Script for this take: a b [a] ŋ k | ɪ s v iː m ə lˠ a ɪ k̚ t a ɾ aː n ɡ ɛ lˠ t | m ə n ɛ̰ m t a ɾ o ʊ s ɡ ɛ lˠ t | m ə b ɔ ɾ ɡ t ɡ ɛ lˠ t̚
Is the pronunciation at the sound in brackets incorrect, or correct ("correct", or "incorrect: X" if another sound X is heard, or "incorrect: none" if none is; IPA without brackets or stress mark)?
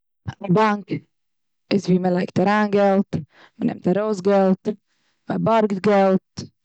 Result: correct